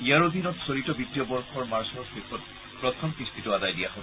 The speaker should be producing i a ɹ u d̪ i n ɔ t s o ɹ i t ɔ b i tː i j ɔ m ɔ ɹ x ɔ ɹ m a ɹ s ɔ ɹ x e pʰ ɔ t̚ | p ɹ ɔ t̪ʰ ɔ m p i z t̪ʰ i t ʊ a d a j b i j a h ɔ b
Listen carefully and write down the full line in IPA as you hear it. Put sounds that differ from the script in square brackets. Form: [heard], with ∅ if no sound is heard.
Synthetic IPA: i a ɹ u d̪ i n ɔ t s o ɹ i t ɔ b i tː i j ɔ [b] ɔ ɹ x ɔ ɹ m a ɹ s ɔ ɹ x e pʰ ɔ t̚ | p ɹ ɔ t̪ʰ ɔ m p i [s] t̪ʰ i t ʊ a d a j [d] i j a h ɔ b